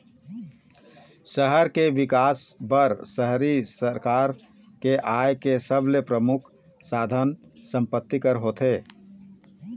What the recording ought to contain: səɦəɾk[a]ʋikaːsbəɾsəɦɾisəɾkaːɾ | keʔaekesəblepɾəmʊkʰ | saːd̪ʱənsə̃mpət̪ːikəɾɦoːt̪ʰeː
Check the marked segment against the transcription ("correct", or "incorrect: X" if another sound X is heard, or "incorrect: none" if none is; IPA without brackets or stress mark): incorrect: e